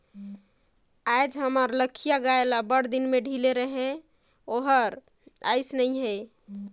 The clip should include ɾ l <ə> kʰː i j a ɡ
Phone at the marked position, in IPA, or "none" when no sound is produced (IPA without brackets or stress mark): ə